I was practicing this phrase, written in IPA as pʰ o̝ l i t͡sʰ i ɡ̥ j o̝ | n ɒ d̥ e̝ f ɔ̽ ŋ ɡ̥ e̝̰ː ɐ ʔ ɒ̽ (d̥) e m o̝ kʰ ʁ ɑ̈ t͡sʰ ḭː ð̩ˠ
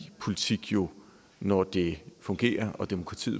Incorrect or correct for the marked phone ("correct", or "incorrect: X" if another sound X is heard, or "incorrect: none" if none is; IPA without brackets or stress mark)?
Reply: correct